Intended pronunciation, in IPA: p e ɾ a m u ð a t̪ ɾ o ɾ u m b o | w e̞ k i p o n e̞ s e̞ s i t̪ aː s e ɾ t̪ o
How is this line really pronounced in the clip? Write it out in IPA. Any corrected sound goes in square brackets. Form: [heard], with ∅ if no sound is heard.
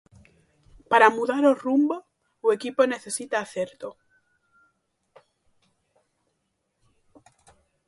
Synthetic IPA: p [a] ɾ a m u ð a [∅] ɾ o [r] u m b o | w e̞ k i p o n e̞ [θ] e̞ s i t̪ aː [θ] e ɾ t̪ o